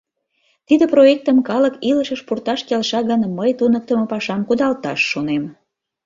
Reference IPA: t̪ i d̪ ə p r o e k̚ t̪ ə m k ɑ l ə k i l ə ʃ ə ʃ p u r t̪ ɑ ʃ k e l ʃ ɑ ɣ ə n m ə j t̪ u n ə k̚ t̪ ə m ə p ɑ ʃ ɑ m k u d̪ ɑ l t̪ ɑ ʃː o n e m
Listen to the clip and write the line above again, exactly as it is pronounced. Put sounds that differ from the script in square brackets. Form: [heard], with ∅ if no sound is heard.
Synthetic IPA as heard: t̪ i d̪ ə p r o e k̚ t̪ ə m k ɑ l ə k i l ə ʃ ə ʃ p u r t̪ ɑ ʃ k e l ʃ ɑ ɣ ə n m ə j t̪ u n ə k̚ t̪ ə m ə p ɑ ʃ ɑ m k u d̪ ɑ l t̪ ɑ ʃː o n e m